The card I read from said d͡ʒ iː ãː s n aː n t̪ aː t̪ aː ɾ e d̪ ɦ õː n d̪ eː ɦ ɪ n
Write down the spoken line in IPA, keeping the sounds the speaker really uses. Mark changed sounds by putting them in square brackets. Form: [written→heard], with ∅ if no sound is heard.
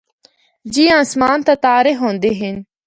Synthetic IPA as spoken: d͡ʒ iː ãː s [n→m] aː n t̪ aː t̪ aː ɾ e [d̪→∅] ɦ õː n d̪ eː ɦ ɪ n